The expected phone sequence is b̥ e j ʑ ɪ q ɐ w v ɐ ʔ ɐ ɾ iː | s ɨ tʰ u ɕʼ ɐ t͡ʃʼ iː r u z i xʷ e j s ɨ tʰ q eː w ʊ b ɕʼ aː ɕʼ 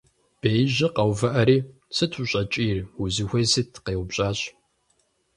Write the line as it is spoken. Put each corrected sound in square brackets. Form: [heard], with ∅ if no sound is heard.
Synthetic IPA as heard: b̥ e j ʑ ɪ q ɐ w v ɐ ʔ ɐ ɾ iː | s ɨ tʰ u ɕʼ ɐ t͡ʃʼ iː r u z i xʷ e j s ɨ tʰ q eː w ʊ b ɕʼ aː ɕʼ